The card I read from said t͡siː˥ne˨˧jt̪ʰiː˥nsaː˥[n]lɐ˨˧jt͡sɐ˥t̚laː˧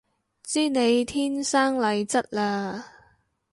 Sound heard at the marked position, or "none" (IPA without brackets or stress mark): ŋ